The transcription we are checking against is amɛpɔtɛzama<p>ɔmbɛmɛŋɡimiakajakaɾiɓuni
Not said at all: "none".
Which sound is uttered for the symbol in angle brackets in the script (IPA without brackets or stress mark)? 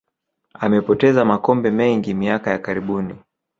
k